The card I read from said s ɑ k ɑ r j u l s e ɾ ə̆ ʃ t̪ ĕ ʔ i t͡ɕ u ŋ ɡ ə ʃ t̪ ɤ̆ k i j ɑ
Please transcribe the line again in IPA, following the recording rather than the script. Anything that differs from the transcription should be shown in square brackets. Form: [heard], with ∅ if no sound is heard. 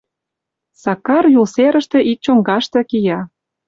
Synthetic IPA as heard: s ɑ k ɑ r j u l s e ɾ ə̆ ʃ t̪ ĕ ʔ i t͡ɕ [o] ŋ ɡ [ɑ] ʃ t̪ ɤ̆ k i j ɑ

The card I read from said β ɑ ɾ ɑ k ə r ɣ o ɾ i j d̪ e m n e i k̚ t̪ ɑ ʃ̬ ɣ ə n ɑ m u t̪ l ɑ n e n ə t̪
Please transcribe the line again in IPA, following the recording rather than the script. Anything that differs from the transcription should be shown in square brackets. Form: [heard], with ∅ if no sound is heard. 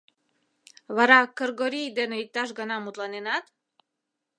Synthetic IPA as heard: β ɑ ɾ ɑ k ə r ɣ o ɾ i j d̪ e [∅] n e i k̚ t̪ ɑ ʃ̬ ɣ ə n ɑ m u t̪ l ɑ n e n [ɑ] t̪

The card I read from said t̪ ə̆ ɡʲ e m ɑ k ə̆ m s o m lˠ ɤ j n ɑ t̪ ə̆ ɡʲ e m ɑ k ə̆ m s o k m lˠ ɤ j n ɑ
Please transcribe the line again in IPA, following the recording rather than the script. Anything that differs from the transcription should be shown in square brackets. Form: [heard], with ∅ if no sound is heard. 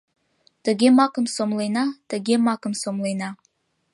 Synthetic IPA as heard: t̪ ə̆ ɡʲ e m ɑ k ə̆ m s o m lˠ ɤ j n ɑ t̪ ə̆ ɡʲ e m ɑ k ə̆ m s o [∅] m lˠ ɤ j n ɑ

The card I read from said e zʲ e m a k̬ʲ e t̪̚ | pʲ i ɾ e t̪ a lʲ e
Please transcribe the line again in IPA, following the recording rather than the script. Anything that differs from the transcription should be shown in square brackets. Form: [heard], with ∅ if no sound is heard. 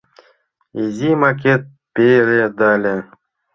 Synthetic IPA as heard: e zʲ [i] m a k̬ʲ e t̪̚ | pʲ [e] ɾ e [d̪] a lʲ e

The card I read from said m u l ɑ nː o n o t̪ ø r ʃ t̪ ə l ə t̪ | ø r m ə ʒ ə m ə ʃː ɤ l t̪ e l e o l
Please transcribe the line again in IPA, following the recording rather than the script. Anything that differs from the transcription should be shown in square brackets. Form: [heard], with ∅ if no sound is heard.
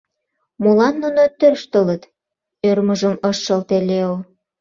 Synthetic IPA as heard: m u l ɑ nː [u] n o t̪ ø r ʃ t̪ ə l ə t̪ | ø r m ə ʒ ə m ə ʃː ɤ l t̪ e l e o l

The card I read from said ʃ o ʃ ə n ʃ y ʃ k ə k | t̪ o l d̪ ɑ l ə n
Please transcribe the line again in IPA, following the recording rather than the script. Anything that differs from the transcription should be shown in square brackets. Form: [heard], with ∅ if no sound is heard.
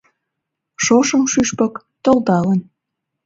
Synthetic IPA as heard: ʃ o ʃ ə [m] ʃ y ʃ [p] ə k | t̪ o l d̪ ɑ l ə n

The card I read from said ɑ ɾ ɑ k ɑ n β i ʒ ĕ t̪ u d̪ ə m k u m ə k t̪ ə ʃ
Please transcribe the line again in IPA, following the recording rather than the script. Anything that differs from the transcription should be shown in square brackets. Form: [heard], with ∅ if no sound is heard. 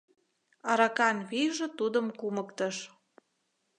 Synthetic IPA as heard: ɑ ɾ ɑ k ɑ n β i ʒ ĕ t̪ u d̪ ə m k u m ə k t̪ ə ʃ

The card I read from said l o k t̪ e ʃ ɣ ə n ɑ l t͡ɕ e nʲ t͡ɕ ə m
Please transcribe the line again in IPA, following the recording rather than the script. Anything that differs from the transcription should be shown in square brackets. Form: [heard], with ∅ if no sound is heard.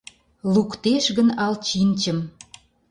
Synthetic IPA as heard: l [u] k t̪ e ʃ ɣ ə n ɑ l t͡ɕ [i] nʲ t͡ɕ ə m

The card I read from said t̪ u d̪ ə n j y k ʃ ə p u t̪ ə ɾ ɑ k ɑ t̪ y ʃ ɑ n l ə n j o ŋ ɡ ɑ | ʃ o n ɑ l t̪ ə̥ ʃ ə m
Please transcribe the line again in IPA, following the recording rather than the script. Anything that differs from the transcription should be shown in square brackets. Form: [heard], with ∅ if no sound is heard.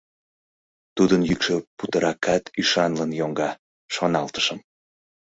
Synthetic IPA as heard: t̪ u d̪ ə n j y k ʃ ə p u t̪ ə ɾ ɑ k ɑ t̪ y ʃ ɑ n l ə n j o ŋ ɡ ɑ | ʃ o n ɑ l t̪ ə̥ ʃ ə m

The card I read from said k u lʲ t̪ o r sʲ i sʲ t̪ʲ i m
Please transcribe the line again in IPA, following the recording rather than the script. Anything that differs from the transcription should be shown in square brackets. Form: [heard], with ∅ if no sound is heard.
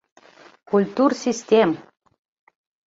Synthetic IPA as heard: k u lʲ t̪ [u] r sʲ i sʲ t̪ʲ [e] m

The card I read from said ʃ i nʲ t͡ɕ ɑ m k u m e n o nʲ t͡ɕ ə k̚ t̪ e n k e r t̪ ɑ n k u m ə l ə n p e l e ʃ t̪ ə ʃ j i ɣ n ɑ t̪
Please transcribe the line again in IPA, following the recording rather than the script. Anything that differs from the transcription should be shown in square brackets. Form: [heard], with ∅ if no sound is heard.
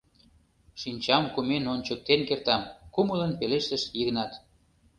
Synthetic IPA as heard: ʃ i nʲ t͡ɕ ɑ m k u m e n o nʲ t͡ɕ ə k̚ t̪ e n k e r t̪ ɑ [m] k u m ə l ə n p e l e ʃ t̪ ə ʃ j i ɣ n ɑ t̪

